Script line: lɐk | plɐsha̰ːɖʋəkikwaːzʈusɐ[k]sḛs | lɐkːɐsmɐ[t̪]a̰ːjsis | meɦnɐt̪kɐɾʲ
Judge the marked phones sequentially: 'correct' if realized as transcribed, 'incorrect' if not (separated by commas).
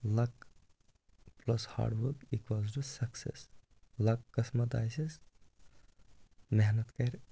correct, correct